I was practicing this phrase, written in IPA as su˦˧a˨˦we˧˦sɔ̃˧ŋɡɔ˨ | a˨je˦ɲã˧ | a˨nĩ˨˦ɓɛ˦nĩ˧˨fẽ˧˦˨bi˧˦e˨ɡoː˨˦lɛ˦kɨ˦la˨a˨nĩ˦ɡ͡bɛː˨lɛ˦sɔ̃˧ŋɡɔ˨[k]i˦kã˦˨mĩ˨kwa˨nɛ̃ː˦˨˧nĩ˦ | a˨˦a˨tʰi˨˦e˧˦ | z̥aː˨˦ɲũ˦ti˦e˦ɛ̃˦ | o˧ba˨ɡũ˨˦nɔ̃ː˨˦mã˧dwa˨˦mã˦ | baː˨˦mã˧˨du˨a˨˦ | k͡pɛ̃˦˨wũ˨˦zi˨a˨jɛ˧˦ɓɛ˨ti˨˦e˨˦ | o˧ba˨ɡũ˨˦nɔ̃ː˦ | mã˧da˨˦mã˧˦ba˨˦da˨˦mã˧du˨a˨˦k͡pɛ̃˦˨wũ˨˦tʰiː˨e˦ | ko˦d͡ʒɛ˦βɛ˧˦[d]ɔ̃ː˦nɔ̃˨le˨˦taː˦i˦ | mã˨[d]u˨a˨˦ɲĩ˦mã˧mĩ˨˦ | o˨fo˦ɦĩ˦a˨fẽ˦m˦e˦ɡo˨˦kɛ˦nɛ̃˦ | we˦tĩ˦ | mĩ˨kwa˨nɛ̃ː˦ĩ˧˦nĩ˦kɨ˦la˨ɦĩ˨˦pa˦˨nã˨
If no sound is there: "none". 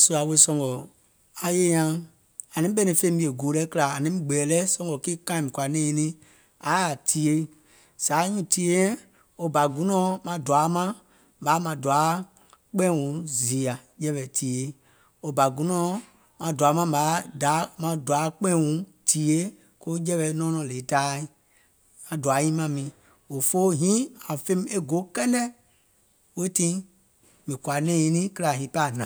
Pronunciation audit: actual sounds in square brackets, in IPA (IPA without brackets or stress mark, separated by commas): k, n, d